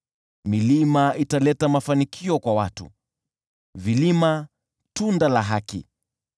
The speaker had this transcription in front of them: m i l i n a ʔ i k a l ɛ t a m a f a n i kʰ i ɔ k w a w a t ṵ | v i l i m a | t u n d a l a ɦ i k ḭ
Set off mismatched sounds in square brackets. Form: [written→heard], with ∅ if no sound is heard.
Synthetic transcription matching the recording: m i l i [n→m] a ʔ i [k→t] a l ɛ t a m a f a n i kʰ i ɔ k w a w a t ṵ | v i l i m a | t u n d a l a ɦ [i→a] k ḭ